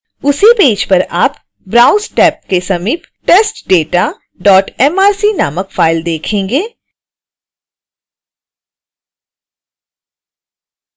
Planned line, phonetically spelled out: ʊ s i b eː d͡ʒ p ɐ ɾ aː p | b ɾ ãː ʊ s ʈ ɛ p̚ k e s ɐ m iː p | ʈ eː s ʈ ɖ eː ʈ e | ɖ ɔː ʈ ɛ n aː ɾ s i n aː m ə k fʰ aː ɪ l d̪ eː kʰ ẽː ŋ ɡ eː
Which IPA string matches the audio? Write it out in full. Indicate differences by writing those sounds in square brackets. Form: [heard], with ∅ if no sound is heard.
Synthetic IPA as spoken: ʊ s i [p] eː d͡ʒ p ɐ ɾ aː p | b ɾ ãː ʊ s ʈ [ɛː] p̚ k e s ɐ m iː p | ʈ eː s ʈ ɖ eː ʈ [a] | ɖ ɔː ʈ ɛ [m] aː ɾ s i n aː m ə k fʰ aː ɪ l d̪ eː kʰ ẽː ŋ ɡ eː